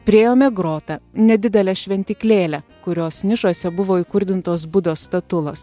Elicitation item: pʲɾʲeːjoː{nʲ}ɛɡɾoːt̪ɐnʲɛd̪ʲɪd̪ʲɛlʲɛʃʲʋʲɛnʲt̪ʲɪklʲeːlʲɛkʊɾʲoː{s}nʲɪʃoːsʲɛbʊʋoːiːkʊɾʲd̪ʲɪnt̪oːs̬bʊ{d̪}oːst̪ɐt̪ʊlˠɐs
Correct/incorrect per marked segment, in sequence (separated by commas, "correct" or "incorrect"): incorrect, correct, correct